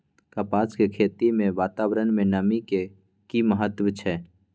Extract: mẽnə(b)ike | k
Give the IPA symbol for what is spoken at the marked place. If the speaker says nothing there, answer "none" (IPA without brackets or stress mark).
m